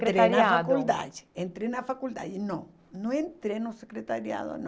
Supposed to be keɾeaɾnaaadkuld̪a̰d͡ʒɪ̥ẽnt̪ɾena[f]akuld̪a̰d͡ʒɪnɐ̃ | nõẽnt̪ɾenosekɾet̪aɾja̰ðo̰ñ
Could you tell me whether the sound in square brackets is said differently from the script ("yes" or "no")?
no